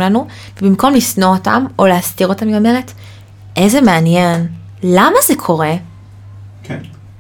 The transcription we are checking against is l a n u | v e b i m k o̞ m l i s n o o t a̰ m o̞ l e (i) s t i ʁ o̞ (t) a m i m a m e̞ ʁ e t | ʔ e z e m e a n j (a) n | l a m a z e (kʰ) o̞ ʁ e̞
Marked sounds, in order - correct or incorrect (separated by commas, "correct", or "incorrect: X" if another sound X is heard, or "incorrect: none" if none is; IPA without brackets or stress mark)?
incorrect: a, correct, incorrect: e, correct